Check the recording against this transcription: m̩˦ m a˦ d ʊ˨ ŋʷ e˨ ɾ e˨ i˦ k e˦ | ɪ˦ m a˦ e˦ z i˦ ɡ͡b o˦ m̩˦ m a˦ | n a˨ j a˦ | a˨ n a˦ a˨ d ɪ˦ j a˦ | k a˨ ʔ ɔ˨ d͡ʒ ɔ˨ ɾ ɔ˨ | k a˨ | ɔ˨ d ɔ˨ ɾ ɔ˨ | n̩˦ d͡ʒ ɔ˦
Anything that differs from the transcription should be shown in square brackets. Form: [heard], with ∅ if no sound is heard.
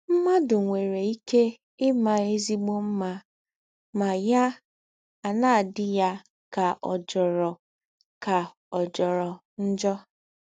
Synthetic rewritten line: m̩˦ m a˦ d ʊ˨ ŋʷ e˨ ɾ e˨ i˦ k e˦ | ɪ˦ m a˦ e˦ z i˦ ɡ͡b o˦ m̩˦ m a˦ | [m] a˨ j a˦ | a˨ n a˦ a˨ d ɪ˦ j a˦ | k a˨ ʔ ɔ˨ d͡ʒ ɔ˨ ɾ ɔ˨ | k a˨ | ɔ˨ [d͡ʒ] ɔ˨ ɾ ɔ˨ | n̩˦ d͡ʒ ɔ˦